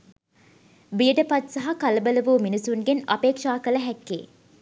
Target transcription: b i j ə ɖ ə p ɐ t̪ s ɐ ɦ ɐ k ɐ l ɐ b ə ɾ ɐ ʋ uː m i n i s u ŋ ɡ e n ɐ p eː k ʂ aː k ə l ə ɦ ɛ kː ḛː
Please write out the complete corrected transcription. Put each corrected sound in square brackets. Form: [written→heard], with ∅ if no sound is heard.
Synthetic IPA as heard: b i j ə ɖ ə p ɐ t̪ s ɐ ɦ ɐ k ɐ l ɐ b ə [ɾ→l] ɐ ʋ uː m i n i s u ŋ ɡ e n ɐ p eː k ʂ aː k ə l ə ɦ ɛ kː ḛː